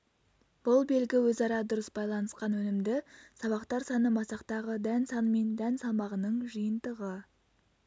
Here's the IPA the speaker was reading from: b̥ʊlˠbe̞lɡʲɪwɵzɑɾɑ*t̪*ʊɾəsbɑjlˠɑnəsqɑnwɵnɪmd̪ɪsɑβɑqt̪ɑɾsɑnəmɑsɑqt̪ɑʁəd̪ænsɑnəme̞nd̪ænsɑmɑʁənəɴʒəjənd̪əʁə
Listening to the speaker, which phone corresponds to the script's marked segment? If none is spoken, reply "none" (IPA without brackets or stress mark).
d̪